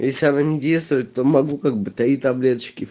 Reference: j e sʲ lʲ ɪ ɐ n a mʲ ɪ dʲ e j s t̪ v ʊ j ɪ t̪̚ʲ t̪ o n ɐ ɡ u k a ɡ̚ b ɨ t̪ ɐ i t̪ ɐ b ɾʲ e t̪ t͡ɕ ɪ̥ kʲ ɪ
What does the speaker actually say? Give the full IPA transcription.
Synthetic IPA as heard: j e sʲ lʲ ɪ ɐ n a nʲ ɪ dʲ e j s t̪ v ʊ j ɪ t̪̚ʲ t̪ o m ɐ ɡ u k a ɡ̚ b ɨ t̪ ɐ i t̪ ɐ b lʲ e t̪ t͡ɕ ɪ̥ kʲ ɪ